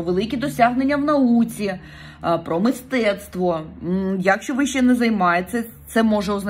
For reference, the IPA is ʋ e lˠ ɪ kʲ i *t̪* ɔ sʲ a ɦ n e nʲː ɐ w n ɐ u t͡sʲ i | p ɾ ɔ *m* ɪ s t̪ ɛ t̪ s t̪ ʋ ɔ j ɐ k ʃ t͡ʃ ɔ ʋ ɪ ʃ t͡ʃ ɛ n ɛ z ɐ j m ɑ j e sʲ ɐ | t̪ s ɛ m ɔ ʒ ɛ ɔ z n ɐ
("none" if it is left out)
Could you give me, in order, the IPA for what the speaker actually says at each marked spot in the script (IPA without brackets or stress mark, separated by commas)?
d̪, m